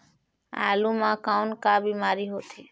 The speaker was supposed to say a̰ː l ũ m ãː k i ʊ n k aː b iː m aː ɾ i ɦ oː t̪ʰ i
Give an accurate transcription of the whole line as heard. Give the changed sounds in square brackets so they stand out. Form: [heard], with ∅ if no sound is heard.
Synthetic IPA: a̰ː l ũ m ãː k [a] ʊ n k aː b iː m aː ɾ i ɦ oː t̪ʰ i